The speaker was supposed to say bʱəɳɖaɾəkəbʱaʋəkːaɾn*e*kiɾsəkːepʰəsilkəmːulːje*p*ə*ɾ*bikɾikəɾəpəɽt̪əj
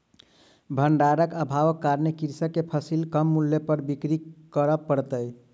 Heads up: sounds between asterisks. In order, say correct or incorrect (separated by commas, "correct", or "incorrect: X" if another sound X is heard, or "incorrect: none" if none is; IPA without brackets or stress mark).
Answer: correct, correct, correct